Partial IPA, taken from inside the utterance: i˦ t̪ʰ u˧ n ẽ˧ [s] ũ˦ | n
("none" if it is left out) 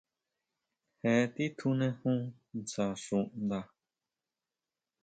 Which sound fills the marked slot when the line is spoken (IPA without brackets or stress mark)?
h